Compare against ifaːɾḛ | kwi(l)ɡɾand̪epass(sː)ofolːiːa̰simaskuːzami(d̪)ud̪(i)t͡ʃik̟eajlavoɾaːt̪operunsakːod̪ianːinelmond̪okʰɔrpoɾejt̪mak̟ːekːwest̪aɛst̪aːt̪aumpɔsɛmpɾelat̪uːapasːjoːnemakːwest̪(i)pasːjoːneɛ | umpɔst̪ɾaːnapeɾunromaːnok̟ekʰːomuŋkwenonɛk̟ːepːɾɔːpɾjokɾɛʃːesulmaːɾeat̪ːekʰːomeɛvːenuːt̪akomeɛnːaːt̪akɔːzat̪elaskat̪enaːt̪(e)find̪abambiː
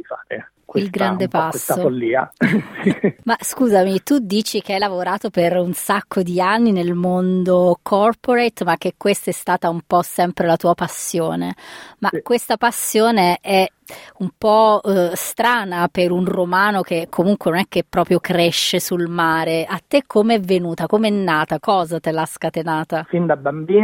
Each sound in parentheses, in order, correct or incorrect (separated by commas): correct, correct, incorrect, incorrect, incorrect, incorrect